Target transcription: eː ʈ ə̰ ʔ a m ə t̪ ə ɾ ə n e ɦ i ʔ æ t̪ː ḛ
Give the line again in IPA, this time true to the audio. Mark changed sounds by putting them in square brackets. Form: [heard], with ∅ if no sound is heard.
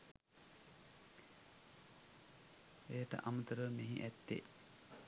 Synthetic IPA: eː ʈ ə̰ ʔ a m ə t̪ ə ɾ ə [m] e ɦ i ʔ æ t̪ː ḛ